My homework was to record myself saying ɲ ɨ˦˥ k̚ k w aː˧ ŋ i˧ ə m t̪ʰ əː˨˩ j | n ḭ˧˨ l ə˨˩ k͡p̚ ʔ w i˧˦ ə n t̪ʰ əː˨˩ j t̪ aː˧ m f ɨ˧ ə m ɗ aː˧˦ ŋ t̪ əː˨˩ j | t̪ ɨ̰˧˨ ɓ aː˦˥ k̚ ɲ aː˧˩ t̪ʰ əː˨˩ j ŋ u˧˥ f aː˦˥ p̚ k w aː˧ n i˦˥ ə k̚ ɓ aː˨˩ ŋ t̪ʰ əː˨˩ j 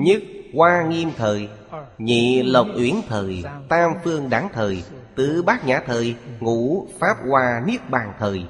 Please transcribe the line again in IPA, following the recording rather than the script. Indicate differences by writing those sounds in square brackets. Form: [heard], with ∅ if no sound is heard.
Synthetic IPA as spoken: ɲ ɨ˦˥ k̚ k w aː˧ ŋ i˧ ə m t̪ʰ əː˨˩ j | [ɲ] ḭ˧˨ l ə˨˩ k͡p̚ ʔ w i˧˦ ə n t̪ʰ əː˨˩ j t̪ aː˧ m f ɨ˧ ə [ŋ] ɗ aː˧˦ ŋ [t̪ʰ] əː˨˩ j | t̪ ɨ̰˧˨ ɓ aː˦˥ k̚ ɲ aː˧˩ t̪ʰ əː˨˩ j ŋ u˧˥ f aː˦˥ p̚ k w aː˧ n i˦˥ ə k̚ ɓ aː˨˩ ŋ t̪ʰ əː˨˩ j